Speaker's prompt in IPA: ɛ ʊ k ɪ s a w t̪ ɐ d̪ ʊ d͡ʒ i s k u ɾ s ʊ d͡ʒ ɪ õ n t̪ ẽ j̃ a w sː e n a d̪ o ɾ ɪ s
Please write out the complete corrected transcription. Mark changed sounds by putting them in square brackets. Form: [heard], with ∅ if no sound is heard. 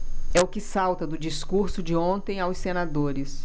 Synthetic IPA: ɛ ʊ k ɪ s a w t̪ ɐ d̪ ʊ d͡ʒ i s k u ɾ s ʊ d͡ʒ ɪ õ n t̪ ẽ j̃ a w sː e n a d̪ o ɾ ɪ s

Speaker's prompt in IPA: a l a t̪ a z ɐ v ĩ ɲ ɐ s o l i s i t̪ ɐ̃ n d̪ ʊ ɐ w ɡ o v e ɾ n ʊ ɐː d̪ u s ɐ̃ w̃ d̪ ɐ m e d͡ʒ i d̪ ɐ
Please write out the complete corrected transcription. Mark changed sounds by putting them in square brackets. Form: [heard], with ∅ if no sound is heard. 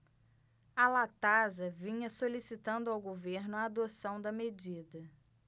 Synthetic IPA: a l a t̪ a z ɐ v ĩ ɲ ɐ s o l i s i t̪ ɐ̃ n d̪ ʊ [a] w ɡ o v e ɾ n ʊ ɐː d̪ [o] s ɐ̃ w̃ d̪ ɐ m e d͡ʒ i d̪ ɐ

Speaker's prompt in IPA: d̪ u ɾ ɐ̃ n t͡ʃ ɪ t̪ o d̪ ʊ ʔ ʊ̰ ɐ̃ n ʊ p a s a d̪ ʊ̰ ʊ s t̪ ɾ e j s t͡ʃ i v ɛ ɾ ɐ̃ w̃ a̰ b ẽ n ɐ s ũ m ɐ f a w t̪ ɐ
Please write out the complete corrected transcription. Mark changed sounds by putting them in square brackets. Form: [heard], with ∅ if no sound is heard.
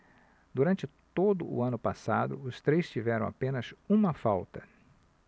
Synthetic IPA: d̪ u ɾ ɐ̃ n t͡ʃ ɪ t̪ o d̪ ʊ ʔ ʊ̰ ɐ̃ n ʊ p a s a d̪ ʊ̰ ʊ s t̪ ɾ e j s t͡ʃ i v ɛ ɾ ɐ̃ w̃ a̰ [p] ẽ n ɐ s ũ m ɐ f a w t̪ ɐ

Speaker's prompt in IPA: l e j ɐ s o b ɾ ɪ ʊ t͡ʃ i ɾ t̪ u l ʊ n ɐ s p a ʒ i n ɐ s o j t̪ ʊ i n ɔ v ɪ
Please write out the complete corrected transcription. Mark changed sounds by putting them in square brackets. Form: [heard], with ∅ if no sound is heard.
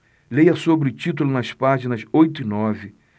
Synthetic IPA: l e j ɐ s o b ɾ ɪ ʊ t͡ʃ i [∅] t̪ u l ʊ n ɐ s p a ʒ i n ɐ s o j t̪ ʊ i n ɔ v ɪ

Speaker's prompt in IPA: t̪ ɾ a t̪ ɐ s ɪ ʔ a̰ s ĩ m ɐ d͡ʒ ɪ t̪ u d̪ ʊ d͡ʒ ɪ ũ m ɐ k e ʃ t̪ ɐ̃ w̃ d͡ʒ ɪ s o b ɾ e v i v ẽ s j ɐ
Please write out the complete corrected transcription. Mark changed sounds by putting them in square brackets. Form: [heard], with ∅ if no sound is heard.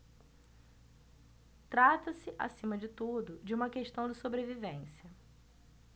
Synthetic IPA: t̪ ɾ a t̪ ɐ s ɪ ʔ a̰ s ĩ m ɐ d͡ʒ ɪ t̪ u d̪ ʊ d͡ʒ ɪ ũ m ɐ k e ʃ t̪ ɐ̃ w̃ d͡ʒ ɪ s o b ɾ e v i v ẽ s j ɐ

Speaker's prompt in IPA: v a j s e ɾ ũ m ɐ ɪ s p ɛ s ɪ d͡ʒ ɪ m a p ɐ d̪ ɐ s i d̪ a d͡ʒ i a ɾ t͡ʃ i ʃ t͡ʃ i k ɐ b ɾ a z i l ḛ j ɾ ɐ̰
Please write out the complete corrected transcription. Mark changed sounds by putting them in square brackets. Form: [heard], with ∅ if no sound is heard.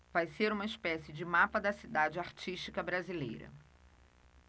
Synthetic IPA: v a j s e ɾ ũ m ɐ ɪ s p ɛ s ɪ d͡ʒ ɪ m a p ɐ d̪ ɐ s i d̪ a d͡ʒ [ɪ] a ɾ t͡ʃ i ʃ t͡ʃ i k ɐ b ɾ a z i l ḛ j ɾ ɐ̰

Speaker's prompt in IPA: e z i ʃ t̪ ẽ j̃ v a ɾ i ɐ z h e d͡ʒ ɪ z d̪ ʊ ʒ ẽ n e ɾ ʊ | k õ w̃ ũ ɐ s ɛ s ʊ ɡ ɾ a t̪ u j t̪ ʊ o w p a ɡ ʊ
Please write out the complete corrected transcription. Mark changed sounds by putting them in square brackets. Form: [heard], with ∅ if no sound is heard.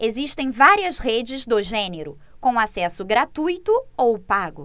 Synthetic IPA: e z i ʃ t̪ ẽ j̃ v a ɾ i ɐ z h e d͡ʒ ɪ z d̪ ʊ ʒ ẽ n e ɾ ʊ | k õ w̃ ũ [a] s ɛ s ʊ ɡ ɾ a t̪ u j t̪ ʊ o w p a ɡ ʊ

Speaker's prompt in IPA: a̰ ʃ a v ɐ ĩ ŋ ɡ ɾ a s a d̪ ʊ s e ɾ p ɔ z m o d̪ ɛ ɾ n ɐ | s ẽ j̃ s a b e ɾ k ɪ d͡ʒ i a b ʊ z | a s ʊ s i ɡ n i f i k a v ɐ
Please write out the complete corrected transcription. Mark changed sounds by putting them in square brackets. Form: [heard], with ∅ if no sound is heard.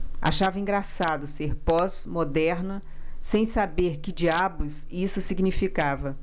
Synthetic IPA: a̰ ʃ a v ɐ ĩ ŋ ɡ ɾ a s a d̪ ʊ s e ɾ p ɔ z m o d̪ ɛ ɾ n ɐ | s ẽ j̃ s a b e ɾ k ɪ d͡ʒ i a b ʊ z | [i] s ʊ s i ɡ n i f i k a v ɐ

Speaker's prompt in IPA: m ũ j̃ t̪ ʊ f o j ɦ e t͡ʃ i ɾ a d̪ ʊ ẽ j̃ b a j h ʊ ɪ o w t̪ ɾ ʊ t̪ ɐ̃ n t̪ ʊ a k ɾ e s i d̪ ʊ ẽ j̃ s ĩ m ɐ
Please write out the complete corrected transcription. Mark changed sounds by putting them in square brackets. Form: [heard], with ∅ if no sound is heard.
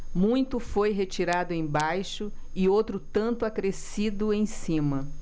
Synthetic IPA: m ũ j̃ t̪ ʊ f o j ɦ e t͡ʃ i ɾ a d̪ ʊ ẽ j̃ b a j [ʃ] ʊ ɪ o w t̪ ɾ ʊ t̪ ɐ̃ n t̪ ʊ a k ɾ e s i d̪ ʊ ẽ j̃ s ĩ m ɐ

